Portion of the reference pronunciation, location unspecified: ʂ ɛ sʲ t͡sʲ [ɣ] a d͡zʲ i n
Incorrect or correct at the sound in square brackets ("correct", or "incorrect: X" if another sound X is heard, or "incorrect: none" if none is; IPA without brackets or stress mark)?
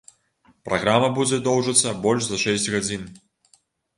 correct